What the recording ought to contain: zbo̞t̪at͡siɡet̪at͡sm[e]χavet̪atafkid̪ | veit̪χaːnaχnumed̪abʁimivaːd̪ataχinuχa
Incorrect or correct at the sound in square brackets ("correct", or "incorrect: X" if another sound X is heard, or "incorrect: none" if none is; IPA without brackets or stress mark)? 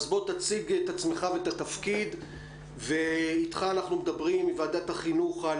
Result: correct